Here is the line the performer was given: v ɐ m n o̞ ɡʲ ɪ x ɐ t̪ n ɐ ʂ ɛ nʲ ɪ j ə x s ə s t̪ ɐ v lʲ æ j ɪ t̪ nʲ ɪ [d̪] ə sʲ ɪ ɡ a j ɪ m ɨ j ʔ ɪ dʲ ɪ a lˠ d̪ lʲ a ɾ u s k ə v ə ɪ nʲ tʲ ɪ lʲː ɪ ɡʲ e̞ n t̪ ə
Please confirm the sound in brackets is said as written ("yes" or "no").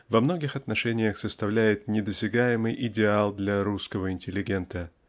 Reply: yes